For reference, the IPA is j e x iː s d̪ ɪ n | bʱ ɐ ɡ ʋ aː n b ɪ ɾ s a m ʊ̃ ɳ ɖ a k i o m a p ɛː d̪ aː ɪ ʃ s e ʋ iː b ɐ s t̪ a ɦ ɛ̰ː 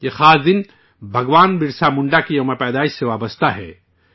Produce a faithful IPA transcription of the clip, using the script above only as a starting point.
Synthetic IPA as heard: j e x aː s d̪ ɪ n | bʱ ɐ ɡ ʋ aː n b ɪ ɾ s a m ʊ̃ ɳ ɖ a k i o m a p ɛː d̪ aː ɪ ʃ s e ʋ aː b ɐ s t̪ a ɦ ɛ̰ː